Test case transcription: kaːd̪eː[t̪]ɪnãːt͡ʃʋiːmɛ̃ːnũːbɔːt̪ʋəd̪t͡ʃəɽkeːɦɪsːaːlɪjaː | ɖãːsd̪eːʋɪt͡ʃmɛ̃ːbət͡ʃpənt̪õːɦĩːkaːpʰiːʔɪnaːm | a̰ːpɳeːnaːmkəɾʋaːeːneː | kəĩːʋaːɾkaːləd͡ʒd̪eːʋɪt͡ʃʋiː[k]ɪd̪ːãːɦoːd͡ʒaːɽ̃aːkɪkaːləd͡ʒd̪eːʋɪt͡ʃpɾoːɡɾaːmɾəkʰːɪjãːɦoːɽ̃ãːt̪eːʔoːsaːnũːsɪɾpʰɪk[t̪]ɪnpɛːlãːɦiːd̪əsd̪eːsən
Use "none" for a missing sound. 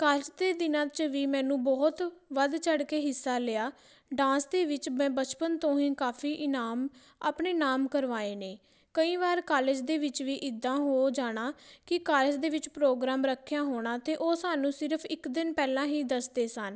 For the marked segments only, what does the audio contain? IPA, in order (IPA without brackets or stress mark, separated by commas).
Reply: d̪, ʔ, d̪